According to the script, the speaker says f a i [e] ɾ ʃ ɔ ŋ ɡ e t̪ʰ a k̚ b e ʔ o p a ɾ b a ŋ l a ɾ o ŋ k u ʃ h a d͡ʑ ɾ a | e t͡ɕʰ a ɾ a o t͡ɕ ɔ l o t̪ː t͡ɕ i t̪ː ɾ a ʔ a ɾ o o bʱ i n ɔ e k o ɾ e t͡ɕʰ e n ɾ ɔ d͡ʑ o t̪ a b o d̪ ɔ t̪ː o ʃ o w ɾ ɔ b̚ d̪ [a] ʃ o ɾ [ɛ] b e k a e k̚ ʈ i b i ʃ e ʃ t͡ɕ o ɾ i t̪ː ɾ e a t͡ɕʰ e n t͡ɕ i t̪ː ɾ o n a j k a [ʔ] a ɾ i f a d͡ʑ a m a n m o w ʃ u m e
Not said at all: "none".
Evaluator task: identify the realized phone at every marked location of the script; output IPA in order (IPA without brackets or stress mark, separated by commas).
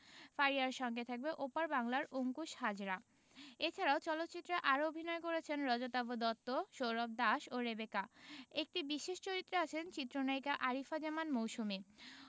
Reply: a, a, e, ʔ